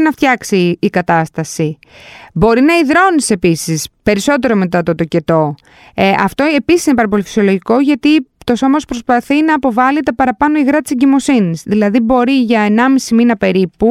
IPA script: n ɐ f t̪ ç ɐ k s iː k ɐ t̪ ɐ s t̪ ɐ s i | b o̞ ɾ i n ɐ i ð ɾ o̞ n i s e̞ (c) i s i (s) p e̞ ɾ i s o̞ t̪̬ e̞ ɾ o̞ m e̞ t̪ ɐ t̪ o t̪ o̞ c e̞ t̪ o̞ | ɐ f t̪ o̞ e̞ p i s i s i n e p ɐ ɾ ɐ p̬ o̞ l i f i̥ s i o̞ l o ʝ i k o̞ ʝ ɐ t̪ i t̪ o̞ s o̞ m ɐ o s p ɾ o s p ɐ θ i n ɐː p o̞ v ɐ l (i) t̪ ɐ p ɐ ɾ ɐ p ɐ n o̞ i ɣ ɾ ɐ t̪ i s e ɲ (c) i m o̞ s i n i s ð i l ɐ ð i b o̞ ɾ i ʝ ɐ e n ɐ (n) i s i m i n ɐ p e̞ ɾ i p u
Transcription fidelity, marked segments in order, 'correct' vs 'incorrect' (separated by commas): incorrect, correct, correct, incorrect, incorrect